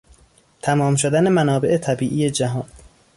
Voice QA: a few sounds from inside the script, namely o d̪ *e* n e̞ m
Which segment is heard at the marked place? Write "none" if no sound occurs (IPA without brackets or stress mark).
æ